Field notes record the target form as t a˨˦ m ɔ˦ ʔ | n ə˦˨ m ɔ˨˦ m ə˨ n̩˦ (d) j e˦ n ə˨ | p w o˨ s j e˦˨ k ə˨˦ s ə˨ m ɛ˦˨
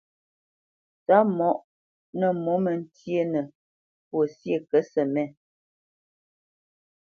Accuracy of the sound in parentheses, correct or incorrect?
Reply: incorrect